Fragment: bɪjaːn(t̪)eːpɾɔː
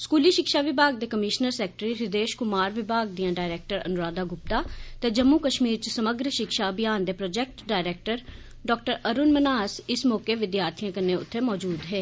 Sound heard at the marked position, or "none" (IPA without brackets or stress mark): d̪